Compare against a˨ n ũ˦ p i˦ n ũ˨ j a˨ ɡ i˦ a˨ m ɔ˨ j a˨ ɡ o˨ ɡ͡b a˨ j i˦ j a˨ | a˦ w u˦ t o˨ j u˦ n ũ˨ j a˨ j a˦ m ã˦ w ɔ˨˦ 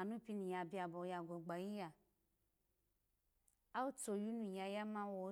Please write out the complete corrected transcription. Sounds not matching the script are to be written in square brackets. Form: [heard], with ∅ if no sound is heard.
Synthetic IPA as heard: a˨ n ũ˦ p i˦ n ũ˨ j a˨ [b] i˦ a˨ [b] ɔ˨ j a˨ ɡ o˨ ɡ͡b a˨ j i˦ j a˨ | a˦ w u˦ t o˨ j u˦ n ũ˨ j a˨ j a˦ m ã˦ w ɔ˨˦